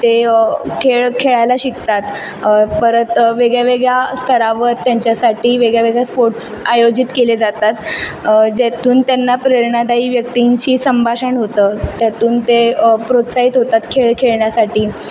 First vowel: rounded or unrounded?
unrounded